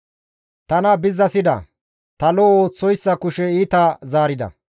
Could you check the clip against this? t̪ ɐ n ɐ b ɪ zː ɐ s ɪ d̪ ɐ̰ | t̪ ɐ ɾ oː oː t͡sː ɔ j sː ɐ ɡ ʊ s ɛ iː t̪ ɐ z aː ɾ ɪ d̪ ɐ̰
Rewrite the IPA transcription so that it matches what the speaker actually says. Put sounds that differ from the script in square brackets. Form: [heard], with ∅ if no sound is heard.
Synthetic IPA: t̪ ɐ n ɐ b ɪ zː ɐ s ɪ d̪ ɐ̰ | t̪ ɐ [l] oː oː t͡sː ɔ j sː ɐ [k] ʊ [ʃ] ɛ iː t̪ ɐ z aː ɾ ɪ d̪ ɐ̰